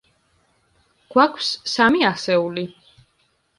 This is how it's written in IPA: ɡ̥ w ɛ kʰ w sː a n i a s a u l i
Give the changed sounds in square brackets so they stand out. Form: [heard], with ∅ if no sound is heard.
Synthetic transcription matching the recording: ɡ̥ w [a] kʰ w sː a [m] i a s [ɛ] u l i